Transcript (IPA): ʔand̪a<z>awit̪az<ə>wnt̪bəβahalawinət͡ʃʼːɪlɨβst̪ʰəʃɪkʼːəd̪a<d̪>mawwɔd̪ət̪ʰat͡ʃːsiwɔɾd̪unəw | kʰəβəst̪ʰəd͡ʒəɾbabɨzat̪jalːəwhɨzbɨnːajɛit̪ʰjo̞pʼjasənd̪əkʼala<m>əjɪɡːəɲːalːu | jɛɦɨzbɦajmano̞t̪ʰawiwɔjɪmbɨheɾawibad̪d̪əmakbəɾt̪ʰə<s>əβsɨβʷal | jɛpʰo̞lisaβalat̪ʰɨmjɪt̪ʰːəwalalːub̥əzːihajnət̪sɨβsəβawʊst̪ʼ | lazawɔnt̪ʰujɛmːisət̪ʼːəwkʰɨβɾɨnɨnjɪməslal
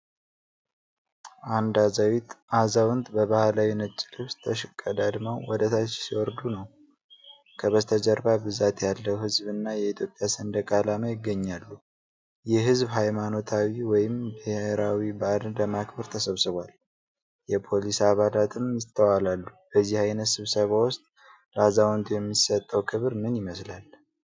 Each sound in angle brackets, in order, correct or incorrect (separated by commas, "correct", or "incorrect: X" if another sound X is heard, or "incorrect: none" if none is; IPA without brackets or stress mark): correct, incorrect: a, correct, correct, correct